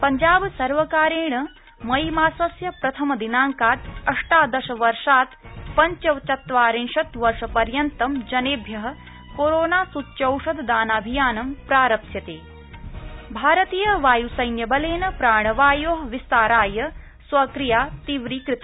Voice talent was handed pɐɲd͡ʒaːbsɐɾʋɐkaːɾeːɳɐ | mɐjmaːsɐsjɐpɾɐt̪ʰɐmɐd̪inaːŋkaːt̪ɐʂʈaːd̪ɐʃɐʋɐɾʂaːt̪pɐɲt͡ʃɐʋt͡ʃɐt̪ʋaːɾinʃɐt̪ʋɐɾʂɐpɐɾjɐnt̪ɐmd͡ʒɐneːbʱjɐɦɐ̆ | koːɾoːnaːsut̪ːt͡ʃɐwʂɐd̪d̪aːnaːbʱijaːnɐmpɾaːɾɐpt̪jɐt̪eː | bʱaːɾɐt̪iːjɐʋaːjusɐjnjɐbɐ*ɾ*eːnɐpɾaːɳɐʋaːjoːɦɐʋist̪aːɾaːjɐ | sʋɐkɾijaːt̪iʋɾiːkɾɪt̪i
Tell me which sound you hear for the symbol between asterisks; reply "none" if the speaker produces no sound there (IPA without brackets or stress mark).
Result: l